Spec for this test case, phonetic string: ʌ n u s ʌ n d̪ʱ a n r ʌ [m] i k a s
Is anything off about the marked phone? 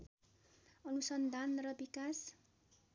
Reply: yes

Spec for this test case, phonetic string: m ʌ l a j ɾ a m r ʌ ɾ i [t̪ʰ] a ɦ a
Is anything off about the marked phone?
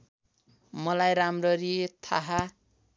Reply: no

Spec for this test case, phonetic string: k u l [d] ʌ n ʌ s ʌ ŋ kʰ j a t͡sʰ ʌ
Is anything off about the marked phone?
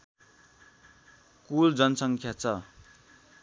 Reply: yes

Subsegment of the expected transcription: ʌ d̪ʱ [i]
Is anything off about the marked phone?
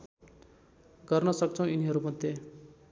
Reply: yes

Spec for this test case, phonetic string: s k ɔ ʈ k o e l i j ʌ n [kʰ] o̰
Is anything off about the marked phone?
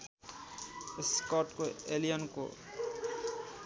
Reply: yes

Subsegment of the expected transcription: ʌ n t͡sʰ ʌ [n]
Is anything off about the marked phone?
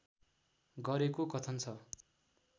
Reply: yes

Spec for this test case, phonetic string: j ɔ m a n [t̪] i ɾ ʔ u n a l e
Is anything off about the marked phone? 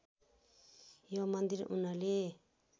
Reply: yes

